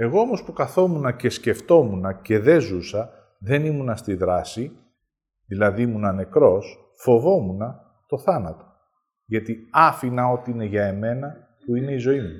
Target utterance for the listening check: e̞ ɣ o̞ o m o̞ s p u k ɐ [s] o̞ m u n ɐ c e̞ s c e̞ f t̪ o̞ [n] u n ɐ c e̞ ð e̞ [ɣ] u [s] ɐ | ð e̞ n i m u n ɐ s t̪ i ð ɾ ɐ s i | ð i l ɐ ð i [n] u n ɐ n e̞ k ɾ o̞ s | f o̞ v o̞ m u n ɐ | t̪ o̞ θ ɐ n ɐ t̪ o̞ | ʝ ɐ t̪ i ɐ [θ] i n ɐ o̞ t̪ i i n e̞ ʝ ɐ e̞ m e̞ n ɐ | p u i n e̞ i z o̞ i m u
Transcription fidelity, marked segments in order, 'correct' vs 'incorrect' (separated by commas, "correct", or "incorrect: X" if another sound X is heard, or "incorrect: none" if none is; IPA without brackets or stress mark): incorrect: θ, incorrect: m, incorrect: z, correct, incorrect: m, incorrect: f